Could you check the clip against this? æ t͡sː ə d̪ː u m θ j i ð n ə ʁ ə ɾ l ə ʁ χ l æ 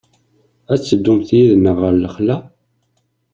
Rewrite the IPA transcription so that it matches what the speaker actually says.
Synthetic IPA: æ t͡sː ə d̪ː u m θ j i ð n ə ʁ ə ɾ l ə χ l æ